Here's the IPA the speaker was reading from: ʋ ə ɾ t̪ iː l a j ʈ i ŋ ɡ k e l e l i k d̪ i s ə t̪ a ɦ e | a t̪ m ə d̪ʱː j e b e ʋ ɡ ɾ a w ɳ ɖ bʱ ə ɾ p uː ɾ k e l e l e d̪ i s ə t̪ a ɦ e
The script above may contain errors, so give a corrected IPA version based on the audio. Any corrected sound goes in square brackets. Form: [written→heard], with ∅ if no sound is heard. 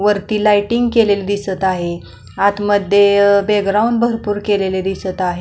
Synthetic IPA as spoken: ʋ ə ɾ t̪ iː l a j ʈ i ŋ ɡ k e l e l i [k→∅] d̪ i s ə t̪ a ɦ e | a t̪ m ə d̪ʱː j e b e [ʋ→∅] ɡ ɾ a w ɳ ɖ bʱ ə ɾ p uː ɾ k e l e l e d̪ i s ə t̪ a ɦ e

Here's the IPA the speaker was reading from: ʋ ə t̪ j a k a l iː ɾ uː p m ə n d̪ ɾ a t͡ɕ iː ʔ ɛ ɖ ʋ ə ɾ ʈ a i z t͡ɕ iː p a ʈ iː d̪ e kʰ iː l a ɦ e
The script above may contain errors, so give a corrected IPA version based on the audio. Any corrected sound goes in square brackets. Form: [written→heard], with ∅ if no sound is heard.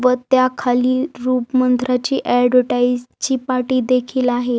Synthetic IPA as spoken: ʋ ə t̪ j a [k→kʰ] a l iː ɾ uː p m ə n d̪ ɾ a t͡ɕ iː ʔ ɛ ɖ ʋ ə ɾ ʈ a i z t͡ɕ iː p a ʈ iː d̪ e kʰ iː l a ɦ e

